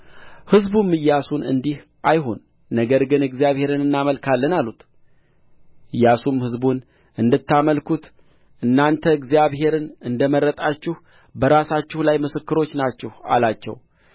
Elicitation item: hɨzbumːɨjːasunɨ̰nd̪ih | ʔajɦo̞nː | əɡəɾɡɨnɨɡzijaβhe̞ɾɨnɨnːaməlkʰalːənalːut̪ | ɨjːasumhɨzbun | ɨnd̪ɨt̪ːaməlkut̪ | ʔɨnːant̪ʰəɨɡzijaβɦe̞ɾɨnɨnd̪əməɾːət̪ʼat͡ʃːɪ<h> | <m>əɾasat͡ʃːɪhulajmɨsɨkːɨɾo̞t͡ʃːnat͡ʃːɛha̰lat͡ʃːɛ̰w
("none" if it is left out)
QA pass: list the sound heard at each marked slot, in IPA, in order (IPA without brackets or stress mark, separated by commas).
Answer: h, b